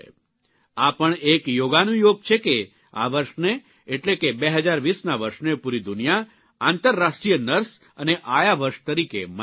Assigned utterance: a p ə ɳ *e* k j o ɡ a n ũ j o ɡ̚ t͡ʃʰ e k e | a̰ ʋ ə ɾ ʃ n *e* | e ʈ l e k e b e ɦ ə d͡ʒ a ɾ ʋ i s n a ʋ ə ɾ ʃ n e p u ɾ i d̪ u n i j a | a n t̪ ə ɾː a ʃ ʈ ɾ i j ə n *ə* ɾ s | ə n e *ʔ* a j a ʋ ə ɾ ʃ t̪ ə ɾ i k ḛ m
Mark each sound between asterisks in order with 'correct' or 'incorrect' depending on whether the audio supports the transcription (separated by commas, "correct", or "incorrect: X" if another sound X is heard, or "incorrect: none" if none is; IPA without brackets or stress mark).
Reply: correct, correct, correct, correct